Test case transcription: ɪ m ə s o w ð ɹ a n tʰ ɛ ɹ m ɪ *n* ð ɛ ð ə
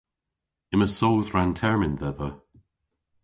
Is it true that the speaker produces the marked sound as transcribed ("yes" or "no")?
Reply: yes